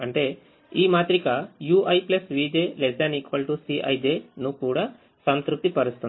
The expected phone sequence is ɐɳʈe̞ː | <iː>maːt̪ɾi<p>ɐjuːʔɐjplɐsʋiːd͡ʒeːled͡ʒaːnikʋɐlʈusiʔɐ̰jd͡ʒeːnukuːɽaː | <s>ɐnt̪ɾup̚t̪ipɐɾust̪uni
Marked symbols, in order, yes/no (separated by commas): yes, no, yes